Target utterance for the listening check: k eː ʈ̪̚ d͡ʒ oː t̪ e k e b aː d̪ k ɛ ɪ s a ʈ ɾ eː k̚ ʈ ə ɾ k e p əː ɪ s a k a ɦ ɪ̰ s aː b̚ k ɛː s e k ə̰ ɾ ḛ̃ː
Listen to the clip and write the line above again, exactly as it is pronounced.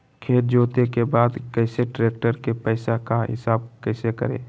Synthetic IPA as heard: kʰ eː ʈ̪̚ d͡ʒ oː t̪ e k e b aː d̪ k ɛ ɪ s e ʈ ɾ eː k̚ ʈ ə ɾ k e p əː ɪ s a k a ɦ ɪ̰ s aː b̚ k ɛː s e k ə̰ ɾ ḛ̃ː